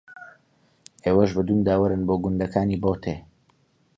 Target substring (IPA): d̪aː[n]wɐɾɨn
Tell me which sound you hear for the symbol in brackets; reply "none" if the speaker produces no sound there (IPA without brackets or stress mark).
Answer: none